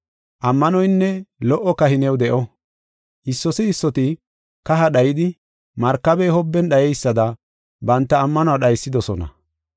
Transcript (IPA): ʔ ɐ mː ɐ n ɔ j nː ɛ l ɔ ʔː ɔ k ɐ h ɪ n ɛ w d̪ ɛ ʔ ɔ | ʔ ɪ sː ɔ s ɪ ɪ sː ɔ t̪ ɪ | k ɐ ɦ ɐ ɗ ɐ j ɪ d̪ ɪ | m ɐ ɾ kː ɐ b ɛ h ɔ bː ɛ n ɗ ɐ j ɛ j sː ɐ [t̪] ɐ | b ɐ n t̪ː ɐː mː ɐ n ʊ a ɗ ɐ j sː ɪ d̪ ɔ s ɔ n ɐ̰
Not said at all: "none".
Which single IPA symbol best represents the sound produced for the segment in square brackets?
d̪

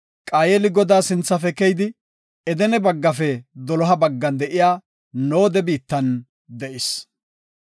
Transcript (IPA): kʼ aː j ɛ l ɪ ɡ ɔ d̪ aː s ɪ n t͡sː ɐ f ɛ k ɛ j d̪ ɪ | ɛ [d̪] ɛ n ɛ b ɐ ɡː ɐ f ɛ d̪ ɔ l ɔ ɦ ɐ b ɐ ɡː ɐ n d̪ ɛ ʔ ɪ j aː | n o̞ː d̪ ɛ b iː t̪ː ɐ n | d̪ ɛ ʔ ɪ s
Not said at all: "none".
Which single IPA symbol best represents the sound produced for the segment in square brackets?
d̪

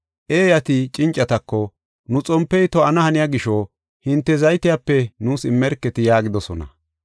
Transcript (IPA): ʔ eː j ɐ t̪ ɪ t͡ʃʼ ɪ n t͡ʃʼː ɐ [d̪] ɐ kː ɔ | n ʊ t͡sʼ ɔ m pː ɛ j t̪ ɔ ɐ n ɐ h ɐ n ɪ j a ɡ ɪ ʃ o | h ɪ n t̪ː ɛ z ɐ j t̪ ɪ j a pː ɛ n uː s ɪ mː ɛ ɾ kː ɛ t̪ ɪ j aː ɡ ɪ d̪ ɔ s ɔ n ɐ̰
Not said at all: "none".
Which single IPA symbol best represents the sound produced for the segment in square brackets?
t̪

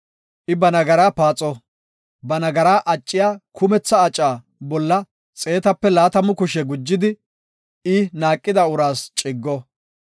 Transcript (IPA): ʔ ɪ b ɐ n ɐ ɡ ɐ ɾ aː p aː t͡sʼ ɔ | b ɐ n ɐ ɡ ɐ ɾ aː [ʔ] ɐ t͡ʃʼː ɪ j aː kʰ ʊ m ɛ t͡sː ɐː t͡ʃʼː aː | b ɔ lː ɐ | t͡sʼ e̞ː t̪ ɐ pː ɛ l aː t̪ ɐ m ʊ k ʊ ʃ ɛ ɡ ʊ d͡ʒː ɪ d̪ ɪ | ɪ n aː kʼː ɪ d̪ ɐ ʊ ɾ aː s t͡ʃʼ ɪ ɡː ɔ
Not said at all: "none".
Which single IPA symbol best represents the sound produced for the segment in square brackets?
ʔ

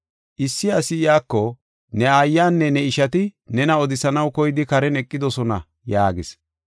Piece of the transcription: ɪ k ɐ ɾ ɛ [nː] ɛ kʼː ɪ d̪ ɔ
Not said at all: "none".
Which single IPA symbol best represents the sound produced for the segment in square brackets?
n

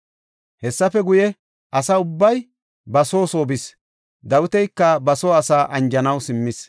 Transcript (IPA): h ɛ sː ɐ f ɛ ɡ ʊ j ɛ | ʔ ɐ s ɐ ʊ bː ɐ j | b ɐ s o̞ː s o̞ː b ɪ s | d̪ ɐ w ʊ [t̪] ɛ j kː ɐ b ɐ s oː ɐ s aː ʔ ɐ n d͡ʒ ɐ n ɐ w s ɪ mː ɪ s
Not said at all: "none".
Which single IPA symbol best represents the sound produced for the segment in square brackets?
t̪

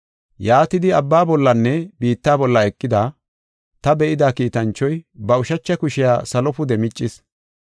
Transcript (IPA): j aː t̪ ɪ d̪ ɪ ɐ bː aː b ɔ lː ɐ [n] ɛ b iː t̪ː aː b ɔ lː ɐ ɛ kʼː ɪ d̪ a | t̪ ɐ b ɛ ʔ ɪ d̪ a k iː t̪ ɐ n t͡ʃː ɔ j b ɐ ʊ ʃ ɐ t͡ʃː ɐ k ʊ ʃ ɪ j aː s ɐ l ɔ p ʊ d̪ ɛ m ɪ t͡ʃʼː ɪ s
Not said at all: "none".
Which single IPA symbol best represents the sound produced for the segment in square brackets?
nː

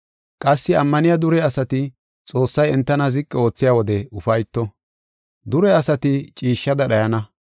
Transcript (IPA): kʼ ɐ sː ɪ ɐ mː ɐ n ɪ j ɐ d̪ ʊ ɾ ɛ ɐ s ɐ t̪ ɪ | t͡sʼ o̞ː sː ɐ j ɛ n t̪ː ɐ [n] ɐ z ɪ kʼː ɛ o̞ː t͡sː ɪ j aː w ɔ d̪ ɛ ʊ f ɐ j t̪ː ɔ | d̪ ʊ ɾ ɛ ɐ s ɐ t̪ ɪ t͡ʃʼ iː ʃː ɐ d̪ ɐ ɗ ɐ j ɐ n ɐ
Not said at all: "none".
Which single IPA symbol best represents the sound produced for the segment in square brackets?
n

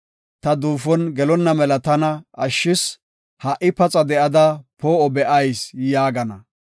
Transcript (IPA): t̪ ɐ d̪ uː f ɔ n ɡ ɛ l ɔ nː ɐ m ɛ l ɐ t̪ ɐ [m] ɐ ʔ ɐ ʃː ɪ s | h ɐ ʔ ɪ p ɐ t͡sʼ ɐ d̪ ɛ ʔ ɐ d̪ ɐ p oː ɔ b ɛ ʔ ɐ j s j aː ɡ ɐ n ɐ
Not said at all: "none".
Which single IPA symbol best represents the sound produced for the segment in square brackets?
n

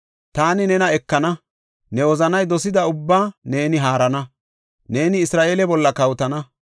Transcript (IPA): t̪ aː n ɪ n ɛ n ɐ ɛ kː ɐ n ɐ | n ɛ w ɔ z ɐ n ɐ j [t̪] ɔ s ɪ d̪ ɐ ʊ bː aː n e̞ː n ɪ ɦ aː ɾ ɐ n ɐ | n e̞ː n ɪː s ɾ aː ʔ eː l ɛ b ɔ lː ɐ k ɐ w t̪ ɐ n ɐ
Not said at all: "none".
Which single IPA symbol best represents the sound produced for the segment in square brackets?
d̪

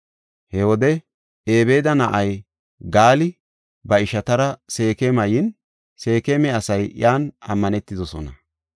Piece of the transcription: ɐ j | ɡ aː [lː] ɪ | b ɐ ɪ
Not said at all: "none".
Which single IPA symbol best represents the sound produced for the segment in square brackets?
l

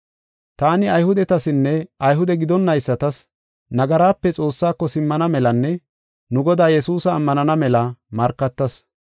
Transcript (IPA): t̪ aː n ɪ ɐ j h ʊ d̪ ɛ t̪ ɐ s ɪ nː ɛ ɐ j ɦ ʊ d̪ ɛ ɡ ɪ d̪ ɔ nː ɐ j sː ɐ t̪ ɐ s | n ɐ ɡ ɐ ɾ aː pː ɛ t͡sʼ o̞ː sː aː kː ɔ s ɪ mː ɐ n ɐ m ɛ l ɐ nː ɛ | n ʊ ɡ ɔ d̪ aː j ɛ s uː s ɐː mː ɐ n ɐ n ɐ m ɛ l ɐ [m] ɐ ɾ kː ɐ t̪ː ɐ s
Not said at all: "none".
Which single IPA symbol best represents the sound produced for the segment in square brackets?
m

